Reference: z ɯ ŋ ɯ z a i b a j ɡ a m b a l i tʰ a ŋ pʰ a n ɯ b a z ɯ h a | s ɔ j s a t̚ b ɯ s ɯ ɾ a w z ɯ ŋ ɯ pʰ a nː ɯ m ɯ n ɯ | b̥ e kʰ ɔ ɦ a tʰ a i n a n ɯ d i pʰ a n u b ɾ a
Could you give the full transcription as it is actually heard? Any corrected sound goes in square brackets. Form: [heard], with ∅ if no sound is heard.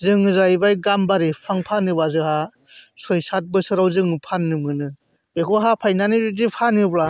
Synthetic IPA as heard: z ɯ ŋ ɯ z a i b a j ɡ a m b a [ɾ] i [pʰ] a ŋ pʰ a n ɯ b a z ɯ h a | s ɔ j s a t̚ b ɯ s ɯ ɾ a w z ɯ ŋ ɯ pʰ a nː ɯ m ɯ n ɯ | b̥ e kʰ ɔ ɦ a [pʰ] a [j] n a n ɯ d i pʰ a n [ɯ] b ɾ a

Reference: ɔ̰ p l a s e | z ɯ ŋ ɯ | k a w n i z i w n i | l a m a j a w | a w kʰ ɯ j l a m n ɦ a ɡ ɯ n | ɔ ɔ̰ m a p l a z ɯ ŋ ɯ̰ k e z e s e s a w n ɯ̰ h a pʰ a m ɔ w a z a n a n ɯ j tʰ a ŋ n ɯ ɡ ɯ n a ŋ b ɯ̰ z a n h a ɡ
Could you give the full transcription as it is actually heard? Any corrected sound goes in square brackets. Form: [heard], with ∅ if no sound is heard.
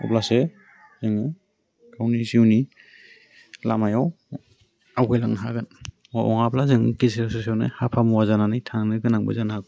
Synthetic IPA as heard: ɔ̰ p l a s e | z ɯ ŋ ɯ | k a w n i z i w n i | l a m a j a w | a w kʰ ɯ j l a [ŋ] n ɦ a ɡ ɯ n | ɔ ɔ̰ [ŋ] a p l a z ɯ ŋ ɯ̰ k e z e s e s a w n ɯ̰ h a pʰ a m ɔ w a z a n a n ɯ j tʰ a ŋ n ɯ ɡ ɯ n a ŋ b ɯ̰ z a n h a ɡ

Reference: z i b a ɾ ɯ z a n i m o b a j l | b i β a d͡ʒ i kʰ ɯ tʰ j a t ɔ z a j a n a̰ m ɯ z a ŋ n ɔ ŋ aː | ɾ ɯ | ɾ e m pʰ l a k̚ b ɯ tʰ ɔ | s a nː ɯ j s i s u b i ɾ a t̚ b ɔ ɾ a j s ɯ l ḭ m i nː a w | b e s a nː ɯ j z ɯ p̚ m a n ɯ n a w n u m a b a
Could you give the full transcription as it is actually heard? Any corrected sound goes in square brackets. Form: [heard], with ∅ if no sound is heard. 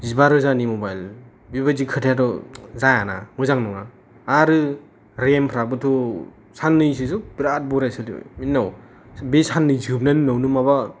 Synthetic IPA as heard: z i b a ɾ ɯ z a n i m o b a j l | b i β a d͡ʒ i kʰ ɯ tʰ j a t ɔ z a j a n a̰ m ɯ z a ŋ n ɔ ŋ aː | ɾ ɯ | ɾ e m pʰ [ɾ] a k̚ b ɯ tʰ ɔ | s a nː ɯ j s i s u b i ɾ a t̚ b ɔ ɾ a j s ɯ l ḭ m i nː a w | b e s a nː ɯ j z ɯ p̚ [n] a n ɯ n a w n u m a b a

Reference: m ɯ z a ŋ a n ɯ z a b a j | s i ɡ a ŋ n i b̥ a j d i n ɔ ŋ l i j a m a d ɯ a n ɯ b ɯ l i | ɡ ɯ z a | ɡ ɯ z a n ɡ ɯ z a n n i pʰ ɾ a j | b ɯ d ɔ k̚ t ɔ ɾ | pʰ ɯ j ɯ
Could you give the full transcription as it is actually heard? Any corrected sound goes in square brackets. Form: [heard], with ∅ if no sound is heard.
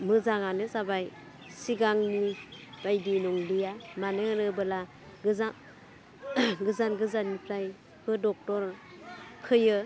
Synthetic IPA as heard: m ɯ z a ŋ a n ɯ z a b a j | s i ɡ a ŋ n i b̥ a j d i n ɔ ŋ l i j a m a [n] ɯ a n ɯ b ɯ l [a] | ɡ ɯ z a | ɡ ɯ z a n ɡ ɯ z a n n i pʰ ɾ a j | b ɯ d ɔ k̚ t ɔ ɾ | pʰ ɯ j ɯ

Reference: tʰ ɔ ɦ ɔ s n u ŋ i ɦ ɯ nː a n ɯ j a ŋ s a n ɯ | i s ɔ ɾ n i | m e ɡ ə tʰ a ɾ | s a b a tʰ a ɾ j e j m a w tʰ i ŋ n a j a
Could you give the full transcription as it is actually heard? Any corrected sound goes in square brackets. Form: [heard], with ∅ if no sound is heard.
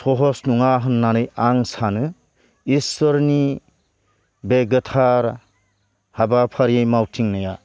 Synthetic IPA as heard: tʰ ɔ ɦ ɔ s n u ŋ [a] ɦ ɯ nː a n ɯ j a ŋ s a n ɯ | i s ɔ ɾ n i | [b] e ɡ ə tʰ a ɾ | [h] a b a [pʰ] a ɾ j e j m a w tʰ i ŋ n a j a

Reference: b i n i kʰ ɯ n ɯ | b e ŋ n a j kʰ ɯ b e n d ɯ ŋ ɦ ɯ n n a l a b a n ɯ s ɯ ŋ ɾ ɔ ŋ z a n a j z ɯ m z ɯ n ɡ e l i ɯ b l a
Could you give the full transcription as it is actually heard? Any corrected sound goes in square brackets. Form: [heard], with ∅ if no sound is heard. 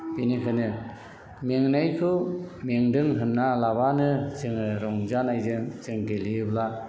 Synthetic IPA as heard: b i n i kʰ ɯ n ɯ | [m] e ŋ n a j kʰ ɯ [m] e [ŋ] d ɯ ŋ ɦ ɯ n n a l a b a n ɯ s ɯ ŋ ɾ ɔ ŋ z a n a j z ɯ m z ɯ [ŋ] ɡ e l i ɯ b l a

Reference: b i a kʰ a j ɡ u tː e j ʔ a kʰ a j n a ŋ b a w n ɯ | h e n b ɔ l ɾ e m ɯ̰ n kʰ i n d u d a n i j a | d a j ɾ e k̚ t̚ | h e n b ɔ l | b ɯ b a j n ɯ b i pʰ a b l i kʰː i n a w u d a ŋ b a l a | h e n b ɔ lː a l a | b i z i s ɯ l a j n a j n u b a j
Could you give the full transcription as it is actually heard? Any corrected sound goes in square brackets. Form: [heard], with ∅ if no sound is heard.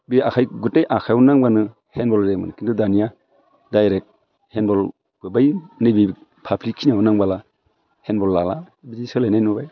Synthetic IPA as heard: b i a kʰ a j ɡ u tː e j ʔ a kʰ a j n a ŋ b a [∅] n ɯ | h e n b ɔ l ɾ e m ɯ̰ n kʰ i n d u d a n i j a | d a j ɾ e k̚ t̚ | h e n b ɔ l | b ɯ b a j n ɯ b i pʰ a b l i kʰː i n a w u [n] a ŋ b a l a | h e n b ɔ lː a l a | b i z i s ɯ l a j n a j n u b a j

